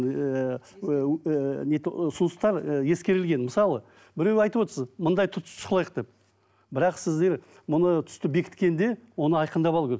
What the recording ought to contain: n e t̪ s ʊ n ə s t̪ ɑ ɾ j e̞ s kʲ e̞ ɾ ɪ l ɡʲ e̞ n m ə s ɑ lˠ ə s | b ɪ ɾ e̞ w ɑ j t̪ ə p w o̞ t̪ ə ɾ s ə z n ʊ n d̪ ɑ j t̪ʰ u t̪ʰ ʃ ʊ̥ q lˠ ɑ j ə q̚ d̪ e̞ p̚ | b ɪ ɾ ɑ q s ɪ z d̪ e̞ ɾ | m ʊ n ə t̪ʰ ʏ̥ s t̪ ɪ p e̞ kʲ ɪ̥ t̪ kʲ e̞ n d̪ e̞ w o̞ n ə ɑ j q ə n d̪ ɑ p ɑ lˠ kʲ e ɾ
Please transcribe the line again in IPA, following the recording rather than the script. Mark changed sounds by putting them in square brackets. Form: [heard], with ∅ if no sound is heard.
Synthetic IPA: n e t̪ s ʊ n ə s t̪ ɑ ɾ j e̞ s kʲ e̞ ɾ ɪ l ɡʲ e̞ n m ə s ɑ lˠ ə [∅] | b ɪ ɾ e̞ w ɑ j t̪ ə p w o̞ t̪ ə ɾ s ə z [m] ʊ n d̪ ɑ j t̪ʰ [ʊ] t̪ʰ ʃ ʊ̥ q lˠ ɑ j ə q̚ d̪ e̞ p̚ | b ɪ ɾ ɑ q s ɪ z d̪ e̞ ɾ | m ʊ n ə t̪ʰ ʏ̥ s t̪ ɪ [b] e̞ kʲ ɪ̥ t̪ kʲ e̞ n d̪ e̞ w o̞ n ə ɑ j q ə n d̪ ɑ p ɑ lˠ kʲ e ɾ